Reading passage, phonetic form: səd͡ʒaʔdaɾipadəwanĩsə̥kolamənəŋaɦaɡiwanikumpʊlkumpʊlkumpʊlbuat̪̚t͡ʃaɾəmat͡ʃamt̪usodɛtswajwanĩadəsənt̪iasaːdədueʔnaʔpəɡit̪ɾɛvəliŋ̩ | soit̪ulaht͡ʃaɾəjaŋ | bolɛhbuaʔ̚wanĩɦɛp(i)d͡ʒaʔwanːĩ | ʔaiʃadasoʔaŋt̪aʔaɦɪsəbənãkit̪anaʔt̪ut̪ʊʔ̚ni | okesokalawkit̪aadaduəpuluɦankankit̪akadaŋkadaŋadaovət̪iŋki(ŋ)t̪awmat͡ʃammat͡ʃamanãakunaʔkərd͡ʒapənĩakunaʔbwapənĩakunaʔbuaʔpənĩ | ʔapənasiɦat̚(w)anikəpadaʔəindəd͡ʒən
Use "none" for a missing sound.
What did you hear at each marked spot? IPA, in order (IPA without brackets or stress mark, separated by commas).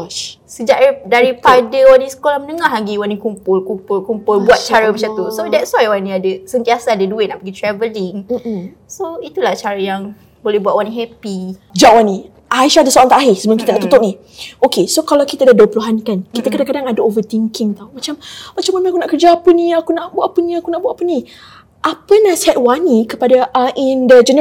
i, ŋ, w